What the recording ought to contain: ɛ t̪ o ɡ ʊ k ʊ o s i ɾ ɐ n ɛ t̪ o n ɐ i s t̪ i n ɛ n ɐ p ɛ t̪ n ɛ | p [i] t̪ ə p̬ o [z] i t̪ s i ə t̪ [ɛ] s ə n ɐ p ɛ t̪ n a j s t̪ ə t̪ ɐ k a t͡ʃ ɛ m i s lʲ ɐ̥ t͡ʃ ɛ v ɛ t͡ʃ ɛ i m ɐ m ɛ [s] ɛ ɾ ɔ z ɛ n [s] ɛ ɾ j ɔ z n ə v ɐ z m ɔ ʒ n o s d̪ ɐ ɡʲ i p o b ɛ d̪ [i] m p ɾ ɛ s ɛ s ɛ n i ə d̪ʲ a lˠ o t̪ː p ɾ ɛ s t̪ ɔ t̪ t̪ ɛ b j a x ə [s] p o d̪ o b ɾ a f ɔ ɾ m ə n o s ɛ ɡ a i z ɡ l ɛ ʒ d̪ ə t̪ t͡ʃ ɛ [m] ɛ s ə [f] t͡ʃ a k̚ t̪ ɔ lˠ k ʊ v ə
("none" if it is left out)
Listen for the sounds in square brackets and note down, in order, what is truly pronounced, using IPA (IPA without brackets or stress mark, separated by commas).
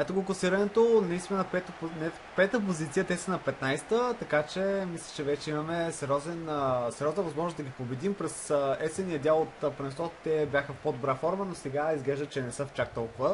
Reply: ɛ, z, ɛ, s, s, i, f, n, f